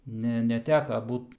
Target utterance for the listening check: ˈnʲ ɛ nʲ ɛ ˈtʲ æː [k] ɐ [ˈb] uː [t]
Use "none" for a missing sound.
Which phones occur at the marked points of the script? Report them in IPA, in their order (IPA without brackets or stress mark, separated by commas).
k, b, t